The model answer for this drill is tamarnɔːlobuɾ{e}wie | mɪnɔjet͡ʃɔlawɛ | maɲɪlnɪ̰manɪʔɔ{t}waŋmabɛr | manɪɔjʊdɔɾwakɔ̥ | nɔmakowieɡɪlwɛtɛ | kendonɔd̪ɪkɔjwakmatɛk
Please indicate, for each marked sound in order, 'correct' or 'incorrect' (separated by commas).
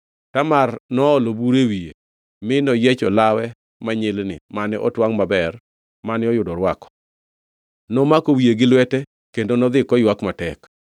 correct, correct